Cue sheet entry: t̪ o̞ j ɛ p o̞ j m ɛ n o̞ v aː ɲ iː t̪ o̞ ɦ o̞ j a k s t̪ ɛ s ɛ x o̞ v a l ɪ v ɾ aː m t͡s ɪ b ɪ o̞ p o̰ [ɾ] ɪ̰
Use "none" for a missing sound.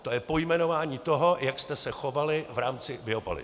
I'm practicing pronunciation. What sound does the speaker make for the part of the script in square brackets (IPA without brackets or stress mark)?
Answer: l